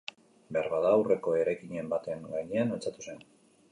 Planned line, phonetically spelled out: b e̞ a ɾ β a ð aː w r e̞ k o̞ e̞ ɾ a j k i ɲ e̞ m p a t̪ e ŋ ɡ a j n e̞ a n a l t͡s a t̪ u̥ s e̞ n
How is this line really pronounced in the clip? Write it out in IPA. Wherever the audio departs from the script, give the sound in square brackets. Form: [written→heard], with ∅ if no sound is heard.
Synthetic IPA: b e̞ a ɾ β a ð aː w r e̞ k o̞ e̞ ɾ a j k i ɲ e̞ m [p→b] a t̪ e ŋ ɡ a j [n→ɲ] e̞ a n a l t͡s a t̪ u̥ s e̞ n